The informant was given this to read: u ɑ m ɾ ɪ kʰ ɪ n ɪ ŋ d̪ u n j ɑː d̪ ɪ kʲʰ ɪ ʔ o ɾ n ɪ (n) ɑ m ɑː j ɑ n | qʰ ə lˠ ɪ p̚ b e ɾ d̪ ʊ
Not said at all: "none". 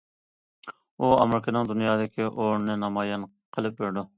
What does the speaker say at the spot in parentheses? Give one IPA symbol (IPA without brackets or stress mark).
n